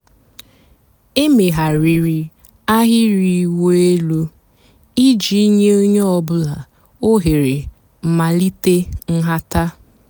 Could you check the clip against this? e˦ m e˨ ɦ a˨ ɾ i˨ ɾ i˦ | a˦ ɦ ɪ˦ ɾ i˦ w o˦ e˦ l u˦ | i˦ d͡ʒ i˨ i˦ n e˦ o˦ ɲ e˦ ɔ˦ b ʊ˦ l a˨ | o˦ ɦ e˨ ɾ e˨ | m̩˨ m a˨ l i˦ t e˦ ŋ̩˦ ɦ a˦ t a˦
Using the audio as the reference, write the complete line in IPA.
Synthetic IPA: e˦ m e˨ ɦ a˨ ɾ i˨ ɾ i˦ | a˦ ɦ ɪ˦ ɾ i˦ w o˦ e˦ l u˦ | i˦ d͡ʒ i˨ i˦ ɲ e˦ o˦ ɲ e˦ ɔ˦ b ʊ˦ l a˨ | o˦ ɦ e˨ ɾ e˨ | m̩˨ m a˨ l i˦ t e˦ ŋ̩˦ ɦ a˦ t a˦